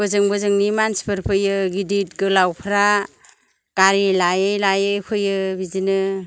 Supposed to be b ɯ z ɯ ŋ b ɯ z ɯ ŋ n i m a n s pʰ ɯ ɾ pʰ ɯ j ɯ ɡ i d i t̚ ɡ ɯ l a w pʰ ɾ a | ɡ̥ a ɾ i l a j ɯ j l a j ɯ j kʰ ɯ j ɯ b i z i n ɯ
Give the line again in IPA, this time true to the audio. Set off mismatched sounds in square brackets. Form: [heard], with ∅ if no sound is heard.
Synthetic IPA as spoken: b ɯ z ɯ ŋ b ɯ z ɯ ŋ n i m a n s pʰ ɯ ɾ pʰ ɯ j ɯ ɡ i d i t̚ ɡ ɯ l a w pʰ ɾ a | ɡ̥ a ɾ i l a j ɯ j l a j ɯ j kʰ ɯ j ɯ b i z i n ɯ